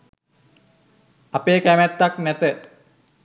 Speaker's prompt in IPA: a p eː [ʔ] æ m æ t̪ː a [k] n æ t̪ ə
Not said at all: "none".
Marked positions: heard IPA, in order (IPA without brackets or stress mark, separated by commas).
k, k